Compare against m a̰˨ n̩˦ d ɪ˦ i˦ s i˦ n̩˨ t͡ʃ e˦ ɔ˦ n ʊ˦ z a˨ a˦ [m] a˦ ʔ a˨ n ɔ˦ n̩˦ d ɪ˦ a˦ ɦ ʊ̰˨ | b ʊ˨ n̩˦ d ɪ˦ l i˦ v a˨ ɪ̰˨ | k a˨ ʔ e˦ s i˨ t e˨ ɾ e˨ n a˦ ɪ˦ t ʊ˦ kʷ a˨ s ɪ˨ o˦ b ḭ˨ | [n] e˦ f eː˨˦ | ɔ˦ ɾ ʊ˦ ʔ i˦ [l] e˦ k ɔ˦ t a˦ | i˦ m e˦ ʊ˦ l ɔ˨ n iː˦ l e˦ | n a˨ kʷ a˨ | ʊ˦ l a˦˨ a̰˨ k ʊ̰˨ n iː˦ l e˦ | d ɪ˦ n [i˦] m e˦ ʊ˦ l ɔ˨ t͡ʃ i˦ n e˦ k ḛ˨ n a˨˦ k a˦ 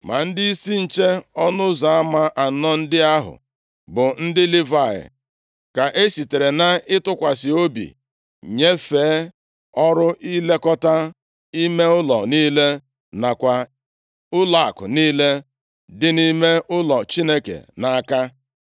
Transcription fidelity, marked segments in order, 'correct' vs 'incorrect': correct, incorrect, correct, correct

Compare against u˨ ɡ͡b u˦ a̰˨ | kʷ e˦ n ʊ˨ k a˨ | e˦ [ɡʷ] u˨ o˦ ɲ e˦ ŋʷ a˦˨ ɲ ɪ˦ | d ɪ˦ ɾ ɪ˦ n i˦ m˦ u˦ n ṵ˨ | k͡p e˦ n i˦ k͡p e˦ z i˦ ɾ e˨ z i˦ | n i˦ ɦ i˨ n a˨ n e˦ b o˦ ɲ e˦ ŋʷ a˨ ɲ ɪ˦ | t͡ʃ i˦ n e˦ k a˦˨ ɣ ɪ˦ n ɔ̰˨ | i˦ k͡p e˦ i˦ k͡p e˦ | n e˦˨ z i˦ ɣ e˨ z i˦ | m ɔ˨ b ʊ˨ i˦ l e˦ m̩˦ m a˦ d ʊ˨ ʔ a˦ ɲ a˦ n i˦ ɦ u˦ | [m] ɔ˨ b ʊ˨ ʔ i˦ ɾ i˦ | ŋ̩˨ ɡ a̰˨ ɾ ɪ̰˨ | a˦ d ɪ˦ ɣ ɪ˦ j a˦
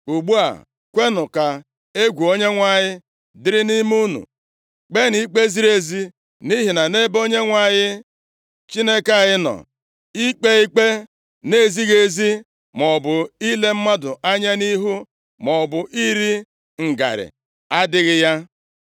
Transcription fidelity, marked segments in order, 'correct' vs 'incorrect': correct, correct

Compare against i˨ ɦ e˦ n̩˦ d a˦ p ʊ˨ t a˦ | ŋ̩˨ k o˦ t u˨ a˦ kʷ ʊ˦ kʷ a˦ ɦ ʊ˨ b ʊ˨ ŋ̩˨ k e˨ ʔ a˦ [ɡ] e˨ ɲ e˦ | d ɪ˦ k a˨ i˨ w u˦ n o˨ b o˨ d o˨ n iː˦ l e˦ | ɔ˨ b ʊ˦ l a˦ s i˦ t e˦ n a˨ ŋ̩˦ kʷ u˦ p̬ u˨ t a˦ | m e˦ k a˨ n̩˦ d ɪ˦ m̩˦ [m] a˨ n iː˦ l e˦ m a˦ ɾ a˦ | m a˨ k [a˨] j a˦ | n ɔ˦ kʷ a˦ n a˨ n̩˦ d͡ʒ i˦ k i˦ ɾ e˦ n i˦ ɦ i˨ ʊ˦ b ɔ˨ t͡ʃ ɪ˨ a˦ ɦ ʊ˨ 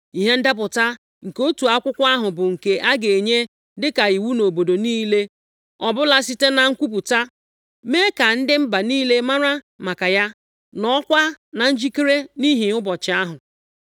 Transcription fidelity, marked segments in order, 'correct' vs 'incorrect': correct, incorrect, correct

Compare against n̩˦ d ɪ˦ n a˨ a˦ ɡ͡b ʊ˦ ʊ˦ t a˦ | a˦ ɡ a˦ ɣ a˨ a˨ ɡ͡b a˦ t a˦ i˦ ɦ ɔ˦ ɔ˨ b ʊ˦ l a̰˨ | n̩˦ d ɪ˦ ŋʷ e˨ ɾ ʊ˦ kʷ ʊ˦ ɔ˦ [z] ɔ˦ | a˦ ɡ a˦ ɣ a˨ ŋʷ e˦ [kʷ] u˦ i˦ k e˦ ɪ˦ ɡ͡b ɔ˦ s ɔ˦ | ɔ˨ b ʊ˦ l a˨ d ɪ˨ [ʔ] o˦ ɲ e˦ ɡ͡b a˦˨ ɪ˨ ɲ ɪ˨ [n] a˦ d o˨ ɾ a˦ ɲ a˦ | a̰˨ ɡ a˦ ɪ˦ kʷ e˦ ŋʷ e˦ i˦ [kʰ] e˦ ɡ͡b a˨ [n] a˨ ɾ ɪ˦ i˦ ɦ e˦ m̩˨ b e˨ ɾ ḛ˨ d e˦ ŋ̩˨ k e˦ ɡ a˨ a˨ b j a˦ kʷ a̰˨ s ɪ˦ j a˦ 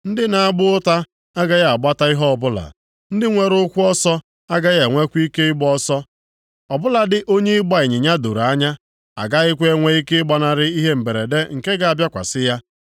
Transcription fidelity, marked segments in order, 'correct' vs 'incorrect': incorrect, correct, correct, incorrect, incorrect, correct

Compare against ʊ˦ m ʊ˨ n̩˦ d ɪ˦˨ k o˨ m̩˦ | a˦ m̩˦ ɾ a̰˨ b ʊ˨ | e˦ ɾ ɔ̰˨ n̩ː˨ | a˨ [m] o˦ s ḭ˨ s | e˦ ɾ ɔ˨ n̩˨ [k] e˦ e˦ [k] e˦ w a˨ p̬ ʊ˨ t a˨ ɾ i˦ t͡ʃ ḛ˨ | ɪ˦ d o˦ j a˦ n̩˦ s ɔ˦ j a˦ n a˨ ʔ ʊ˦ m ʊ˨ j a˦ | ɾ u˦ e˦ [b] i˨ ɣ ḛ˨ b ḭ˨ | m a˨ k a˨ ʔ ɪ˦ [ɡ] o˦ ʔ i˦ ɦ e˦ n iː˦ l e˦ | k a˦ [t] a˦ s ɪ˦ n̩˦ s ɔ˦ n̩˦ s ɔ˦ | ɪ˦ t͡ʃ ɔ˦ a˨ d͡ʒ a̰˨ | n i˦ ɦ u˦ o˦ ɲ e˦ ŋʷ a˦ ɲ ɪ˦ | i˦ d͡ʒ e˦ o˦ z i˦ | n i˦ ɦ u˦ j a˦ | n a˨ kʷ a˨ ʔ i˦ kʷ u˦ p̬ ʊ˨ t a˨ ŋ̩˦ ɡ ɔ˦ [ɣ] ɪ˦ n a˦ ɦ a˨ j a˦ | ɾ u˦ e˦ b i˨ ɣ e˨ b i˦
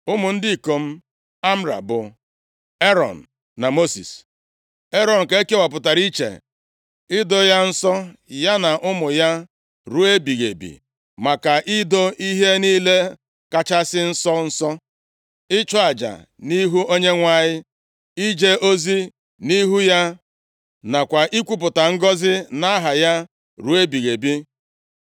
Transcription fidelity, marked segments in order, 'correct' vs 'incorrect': correct, correct, correct, correct, incorrect, incorrect, incorrect

